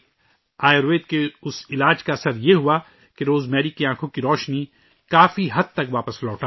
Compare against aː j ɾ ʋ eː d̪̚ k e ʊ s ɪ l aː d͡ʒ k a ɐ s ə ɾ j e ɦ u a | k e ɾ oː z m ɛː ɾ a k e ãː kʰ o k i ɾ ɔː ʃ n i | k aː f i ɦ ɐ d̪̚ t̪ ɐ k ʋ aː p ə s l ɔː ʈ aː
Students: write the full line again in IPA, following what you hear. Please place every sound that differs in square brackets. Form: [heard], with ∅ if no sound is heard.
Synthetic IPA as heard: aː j ɾ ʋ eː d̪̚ k e ʊ s ɪ l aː d͡ʒ k a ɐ s ə ɾ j e ɦ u a | k e ɾ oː z m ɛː ɾ [i] k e ãː kʰ [õ] k i ɾ ɔː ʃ n i | k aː f i ɦ ɐ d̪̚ t̪ ɐ k ʋ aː p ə s l ɔː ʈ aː